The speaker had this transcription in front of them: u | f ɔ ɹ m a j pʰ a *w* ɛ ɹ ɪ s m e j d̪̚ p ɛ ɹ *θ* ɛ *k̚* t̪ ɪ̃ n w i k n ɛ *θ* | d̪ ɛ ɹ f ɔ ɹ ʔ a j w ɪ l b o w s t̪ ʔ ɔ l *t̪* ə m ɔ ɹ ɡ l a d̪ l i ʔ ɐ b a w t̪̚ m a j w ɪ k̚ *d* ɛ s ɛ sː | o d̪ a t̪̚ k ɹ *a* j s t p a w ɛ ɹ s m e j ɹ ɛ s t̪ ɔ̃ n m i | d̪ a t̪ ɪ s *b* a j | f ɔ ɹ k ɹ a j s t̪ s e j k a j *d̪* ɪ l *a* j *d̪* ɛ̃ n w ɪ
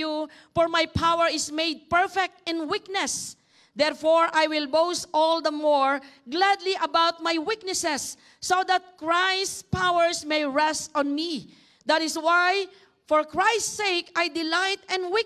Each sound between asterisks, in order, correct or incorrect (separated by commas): correct, incorrect, correct, incorrect, incorrect, incorrect, correct, incorrect, correct, correct, incorrect